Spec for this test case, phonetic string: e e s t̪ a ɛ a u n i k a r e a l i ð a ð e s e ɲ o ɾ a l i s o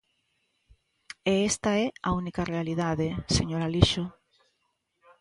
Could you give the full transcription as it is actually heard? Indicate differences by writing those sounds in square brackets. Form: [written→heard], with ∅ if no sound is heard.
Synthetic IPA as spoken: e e s t̪ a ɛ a u n i k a r e a l i ð a ð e s e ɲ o ɾ a l i [s→ʃ] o